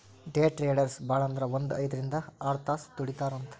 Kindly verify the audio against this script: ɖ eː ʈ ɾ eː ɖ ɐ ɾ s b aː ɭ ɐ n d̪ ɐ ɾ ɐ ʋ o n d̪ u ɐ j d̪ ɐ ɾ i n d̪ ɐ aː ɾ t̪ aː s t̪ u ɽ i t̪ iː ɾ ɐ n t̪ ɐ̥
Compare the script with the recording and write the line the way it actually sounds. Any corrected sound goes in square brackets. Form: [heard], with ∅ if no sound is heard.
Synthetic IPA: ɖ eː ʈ ɾ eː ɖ ɐ ɾ s b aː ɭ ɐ n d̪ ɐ ɾ ɐ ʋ o n d̪ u ɐ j d̪ ɐ ɾ i n d̪ ɐ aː ɾ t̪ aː s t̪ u ɽ i t̪ [aː] ɾ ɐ n t̪ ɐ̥